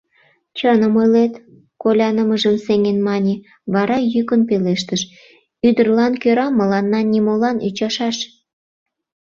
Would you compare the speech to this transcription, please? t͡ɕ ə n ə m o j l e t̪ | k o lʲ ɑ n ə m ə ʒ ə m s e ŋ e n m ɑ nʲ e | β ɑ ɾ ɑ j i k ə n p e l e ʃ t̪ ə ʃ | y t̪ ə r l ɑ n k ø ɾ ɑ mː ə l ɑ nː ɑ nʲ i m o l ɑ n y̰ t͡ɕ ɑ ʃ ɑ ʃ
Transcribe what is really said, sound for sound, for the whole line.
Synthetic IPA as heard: t͡ɕ ə n ə m o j l e t̪ | k o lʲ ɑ n ə m ə ʒ ə m s e ŋ e n m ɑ nʲ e | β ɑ ɾ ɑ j y k ə n p e l e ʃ t̪ ə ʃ | y d̪ ə r l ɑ n k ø ɾ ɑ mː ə l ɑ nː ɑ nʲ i m o l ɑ n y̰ t͡ɕ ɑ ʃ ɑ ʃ